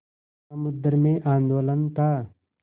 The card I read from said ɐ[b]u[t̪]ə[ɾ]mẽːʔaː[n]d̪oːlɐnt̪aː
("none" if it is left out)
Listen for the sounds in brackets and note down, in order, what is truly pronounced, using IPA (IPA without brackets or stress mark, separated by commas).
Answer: m, d̪, ɾ, n